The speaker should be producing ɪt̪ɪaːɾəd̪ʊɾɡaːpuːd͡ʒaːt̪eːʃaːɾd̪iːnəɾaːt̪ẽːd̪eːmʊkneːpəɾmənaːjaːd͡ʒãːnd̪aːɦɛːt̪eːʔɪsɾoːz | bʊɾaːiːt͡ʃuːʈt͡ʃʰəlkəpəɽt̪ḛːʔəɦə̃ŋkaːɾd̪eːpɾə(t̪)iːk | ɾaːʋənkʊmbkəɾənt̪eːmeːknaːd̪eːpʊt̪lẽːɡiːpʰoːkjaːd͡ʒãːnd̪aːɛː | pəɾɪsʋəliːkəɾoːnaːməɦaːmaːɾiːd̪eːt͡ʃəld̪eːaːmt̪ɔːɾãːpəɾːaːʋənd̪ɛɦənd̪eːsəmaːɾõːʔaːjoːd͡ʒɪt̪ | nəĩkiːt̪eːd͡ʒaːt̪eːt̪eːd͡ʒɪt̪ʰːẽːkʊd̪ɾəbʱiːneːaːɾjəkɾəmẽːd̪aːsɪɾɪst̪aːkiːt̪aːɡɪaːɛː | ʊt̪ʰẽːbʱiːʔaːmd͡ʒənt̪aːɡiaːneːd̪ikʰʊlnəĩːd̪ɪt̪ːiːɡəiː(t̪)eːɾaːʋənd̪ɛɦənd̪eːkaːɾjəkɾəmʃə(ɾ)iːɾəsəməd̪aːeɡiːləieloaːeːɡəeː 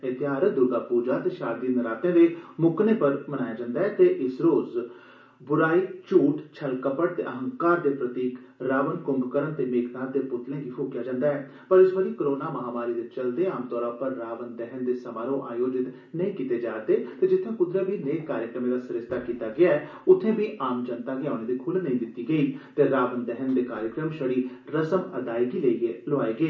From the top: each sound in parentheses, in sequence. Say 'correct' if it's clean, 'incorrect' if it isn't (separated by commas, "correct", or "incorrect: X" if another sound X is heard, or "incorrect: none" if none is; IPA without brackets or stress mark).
correct, correct, incorrect: ɽ